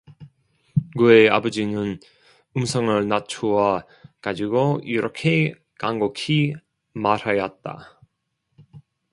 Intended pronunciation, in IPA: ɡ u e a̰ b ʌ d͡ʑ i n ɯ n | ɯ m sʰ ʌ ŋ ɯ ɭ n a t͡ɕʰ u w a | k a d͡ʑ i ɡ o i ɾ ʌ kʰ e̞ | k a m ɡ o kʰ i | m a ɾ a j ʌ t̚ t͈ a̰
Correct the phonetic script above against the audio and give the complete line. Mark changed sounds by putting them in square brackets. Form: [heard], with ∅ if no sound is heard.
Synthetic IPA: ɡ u e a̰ b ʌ d͡ʑ i n ɯ n | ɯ m sʰ ʌ ŋ ɯ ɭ n a t͡ɕʰ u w a | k a d͡ʑ i ɡ o i ɾ ʌ kʰ e̞ | k a [ŋ] ɡ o kʰ i | m a ɾ a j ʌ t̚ t͈ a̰